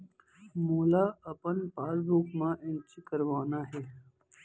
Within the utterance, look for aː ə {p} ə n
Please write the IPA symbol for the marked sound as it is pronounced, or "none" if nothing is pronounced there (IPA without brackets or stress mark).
p